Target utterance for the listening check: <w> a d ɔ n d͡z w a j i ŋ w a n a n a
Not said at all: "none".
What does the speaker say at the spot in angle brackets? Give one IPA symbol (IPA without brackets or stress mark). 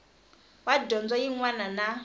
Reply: w